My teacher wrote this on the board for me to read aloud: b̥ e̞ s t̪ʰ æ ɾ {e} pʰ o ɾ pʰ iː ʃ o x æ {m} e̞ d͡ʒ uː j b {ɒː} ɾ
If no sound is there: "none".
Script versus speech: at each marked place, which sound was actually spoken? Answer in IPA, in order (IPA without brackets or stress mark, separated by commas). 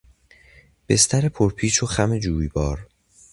e, m, ɒː